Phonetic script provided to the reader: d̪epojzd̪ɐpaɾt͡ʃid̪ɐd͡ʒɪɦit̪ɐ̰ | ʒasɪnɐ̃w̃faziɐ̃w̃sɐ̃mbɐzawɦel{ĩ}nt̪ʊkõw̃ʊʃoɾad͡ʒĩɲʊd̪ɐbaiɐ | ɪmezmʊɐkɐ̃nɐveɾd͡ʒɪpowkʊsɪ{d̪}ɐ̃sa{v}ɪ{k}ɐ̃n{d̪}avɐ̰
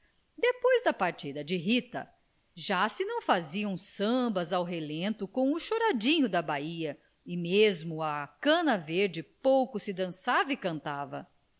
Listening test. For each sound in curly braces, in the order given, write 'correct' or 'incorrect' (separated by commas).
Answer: incorrect, correct, correct, correct, incorrect